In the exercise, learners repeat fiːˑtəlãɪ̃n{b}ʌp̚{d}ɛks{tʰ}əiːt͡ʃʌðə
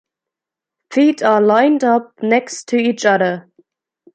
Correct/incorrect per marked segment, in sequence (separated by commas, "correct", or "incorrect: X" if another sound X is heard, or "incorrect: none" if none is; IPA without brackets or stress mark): incorrect: d, incorrect: n, correct